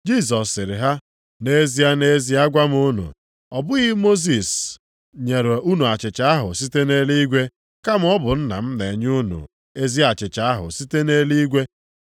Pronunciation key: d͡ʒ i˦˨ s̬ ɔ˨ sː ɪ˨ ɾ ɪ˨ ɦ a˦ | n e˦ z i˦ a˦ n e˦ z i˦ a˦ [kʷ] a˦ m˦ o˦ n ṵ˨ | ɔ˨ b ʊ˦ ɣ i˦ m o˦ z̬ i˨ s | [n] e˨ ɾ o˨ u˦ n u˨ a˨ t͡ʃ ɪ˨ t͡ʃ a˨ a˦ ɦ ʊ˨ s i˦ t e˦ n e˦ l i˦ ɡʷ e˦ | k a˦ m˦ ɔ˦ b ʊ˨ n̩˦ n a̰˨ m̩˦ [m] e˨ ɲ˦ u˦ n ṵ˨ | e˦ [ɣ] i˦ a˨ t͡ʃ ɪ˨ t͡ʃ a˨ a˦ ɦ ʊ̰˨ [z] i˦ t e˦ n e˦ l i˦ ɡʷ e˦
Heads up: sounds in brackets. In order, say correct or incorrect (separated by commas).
incorrect, incorrect, incorrect, incorrect, incorrect